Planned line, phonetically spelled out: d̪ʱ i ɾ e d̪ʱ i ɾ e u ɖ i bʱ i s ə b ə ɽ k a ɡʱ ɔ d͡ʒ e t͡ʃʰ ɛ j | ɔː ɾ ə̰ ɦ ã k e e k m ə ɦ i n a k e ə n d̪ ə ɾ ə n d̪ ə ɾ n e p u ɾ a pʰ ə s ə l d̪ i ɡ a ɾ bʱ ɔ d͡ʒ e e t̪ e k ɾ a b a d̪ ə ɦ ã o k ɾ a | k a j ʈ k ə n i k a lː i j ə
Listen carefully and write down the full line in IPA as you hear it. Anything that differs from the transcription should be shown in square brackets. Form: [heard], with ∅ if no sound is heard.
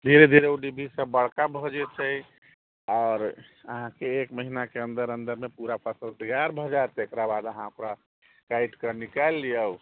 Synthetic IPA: d̪ʱ i ɾ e d̪ʱ i ɾ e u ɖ i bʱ i s ə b ə ɽ k a [bʱ] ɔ d͡ʒ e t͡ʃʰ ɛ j | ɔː ɾ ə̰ ɦ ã k e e k m ə ɦ i n a k e ə n d̪ ə ɾ ə n d̪ ə ɾ [m] e p u ɾ a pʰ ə s ə l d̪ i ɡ a ɾ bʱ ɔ d͡ʒ [a] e t̪ e k ɾ a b a d̪ ə ɦ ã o k ɾ a | k a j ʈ k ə n i k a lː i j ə

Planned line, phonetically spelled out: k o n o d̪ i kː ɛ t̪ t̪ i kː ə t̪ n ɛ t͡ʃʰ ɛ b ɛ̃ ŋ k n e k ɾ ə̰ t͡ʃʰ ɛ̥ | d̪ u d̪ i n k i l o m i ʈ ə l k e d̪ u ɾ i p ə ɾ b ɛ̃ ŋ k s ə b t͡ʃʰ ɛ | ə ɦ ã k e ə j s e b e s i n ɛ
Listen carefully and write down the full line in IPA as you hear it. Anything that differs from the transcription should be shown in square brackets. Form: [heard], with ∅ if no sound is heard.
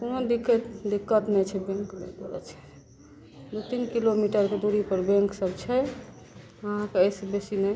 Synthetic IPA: k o n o d̪ i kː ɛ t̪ [d̪] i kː ə t̪ n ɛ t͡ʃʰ ɛ b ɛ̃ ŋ k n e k ɾ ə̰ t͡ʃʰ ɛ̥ | d̪ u [t̪] i n k i l o m i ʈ ə [ɾ] k e d̪ u ɾ i p ə ɾ b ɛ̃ ŋ k s ə b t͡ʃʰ ɛ | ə ɦ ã k e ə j s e b e s i n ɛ

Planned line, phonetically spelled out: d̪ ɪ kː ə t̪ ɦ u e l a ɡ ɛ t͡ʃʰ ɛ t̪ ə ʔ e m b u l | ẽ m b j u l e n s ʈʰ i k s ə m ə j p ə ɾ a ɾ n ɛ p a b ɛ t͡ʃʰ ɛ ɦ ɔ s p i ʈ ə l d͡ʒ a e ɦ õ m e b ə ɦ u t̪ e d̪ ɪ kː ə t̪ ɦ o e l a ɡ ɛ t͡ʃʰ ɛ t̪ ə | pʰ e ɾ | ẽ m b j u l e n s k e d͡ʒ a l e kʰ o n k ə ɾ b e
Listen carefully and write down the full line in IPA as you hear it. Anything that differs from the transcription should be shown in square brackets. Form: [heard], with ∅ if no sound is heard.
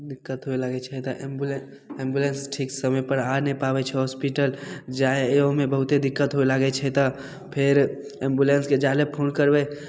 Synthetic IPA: d̪ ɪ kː ə t̪ ɦ [o] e l a ɡ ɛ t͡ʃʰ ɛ t̪ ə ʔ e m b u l | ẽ m b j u l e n s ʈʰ i k s ə m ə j p ə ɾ a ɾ n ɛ p a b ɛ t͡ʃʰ ɛ ɦ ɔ s p i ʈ ə l d͡ʒ a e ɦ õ m e b ə ɦ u t̪ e d̪ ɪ kː ə t̪ ɦ o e l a ɡ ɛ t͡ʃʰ ɛ t̪ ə | pʰ e ɾ | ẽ m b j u l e n s k e d͡ʒ a l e [pʰ] o n k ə ɾ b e

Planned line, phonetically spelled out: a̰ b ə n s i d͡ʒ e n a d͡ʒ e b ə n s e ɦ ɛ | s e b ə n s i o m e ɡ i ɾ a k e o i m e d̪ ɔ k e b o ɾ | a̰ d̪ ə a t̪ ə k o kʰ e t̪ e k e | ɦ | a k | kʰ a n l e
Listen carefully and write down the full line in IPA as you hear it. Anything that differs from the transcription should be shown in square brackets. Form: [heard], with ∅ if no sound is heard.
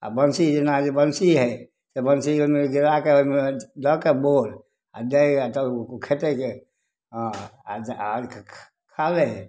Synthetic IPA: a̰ b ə n s i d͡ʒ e n a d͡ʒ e b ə n s [i] ɦ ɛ | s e b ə n s i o m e ɡ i ɾ a k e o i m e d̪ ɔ k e b o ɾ | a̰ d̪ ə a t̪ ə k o kʰ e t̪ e k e | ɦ | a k | kʰ a [∅] l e

